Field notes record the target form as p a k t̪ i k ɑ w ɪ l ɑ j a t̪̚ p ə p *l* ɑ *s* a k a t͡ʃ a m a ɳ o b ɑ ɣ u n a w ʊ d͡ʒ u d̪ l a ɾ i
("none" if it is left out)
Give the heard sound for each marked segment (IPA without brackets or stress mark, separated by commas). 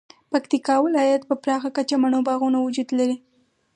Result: ɾ, x